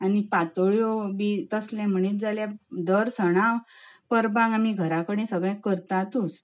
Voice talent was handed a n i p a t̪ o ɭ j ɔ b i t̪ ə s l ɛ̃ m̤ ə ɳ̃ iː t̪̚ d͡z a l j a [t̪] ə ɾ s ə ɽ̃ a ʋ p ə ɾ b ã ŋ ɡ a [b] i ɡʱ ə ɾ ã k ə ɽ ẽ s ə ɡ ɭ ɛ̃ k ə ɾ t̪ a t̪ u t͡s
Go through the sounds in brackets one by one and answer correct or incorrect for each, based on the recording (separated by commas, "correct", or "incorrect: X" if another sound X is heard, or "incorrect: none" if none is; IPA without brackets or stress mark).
incorrect: d̪, incorrect: m